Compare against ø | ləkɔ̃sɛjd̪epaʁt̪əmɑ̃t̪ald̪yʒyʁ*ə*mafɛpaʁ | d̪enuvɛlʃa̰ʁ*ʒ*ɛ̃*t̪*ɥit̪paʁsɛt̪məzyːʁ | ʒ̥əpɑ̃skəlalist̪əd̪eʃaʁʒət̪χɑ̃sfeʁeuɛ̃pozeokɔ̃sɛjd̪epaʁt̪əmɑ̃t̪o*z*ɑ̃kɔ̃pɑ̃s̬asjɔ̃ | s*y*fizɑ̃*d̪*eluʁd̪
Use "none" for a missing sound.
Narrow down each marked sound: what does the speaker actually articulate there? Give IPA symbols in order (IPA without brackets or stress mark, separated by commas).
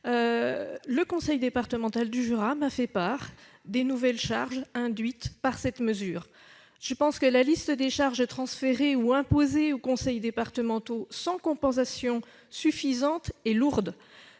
a, ʒ, d̪, s, y, t̪